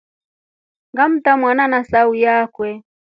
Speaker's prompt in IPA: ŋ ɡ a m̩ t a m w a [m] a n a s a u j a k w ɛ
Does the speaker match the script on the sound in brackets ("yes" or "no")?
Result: no